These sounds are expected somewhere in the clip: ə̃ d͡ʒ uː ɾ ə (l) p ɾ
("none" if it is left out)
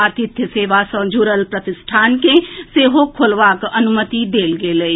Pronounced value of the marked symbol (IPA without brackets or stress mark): l